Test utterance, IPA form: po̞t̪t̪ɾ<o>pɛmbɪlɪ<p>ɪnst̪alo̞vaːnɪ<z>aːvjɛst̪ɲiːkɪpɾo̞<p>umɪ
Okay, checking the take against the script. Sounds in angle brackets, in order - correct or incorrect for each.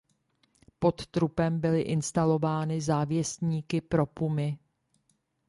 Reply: incorrect: u, incorrect: ʔ, correct, correct

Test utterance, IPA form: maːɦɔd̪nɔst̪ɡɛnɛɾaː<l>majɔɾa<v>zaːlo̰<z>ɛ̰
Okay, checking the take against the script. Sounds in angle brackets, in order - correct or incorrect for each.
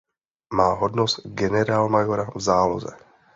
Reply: correct, correct, correct

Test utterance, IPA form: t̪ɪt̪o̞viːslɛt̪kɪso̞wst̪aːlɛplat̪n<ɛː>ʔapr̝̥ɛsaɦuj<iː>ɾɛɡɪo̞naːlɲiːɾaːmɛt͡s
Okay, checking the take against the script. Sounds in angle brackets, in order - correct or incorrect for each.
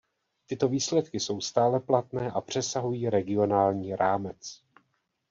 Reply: correct, correct

